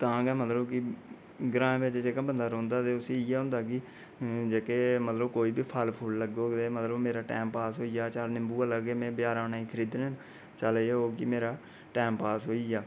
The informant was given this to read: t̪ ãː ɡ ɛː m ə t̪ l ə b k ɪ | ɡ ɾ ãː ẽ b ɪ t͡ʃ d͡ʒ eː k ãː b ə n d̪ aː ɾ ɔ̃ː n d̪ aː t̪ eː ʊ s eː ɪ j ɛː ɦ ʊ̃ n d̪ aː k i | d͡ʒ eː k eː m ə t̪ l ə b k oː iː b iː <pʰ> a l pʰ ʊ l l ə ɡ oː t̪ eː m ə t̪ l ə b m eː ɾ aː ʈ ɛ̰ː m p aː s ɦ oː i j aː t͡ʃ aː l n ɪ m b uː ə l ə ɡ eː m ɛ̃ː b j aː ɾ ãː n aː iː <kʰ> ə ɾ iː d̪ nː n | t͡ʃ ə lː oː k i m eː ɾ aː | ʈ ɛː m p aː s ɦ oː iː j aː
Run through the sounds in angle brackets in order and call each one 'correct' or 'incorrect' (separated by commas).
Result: correct, correct